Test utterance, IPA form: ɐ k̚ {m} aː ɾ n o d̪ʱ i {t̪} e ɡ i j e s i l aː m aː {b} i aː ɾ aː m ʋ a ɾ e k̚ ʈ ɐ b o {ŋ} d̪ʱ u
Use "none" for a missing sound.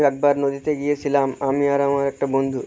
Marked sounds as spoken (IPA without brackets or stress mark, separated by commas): b, t̪, m, n